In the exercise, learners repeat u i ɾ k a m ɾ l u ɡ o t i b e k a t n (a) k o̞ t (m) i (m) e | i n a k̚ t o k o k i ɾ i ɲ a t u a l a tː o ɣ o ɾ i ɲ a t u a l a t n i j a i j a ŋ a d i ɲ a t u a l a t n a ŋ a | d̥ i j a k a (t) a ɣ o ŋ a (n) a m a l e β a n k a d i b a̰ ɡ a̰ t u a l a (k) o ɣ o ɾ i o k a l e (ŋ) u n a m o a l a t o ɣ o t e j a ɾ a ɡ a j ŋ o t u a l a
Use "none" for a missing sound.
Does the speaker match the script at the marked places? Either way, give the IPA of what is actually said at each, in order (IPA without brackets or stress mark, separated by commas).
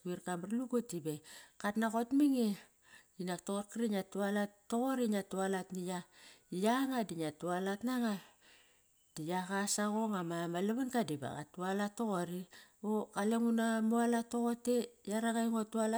a, m, ŋ, s, m, t, ŋ